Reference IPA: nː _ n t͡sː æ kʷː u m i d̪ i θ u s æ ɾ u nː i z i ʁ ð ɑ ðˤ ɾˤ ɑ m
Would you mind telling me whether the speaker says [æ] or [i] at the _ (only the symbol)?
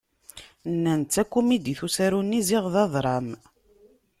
æ